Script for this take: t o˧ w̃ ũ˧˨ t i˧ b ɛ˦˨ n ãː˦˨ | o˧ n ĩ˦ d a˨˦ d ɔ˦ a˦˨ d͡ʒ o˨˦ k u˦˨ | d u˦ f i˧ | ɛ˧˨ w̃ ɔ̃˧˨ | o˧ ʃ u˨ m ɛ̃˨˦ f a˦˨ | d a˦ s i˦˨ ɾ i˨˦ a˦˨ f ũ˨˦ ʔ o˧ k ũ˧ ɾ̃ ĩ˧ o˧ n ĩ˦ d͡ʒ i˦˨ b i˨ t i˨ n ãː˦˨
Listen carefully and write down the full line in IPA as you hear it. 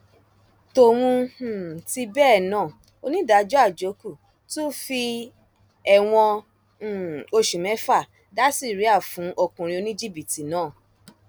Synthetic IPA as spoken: t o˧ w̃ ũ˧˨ t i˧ b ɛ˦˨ n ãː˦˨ | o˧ n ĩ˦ d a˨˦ d͡ʒ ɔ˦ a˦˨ d͡ʒ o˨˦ k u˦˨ | t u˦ f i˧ | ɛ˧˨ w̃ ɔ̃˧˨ | o˧ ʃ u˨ m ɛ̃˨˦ f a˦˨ | d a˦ s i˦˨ ɾ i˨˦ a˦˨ f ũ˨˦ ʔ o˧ k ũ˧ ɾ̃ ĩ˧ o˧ n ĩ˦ d͡ʒ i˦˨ b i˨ t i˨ n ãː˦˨